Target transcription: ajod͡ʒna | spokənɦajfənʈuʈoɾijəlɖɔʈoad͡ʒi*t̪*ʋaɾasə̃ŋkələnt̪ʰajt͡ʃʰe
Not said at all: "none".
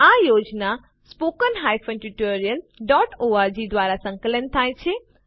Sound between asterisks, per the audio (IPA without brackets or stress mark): d̪